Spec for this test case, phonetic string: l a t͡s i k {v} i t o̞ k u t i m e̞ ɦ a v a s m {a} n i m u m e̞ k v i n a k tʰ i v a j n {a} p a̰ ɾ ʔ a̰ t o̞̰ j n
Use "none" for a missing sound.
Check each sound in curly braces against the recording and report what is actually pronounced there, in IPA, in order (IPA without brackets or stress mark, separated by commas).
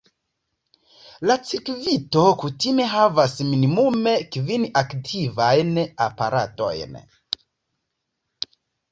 v, i, a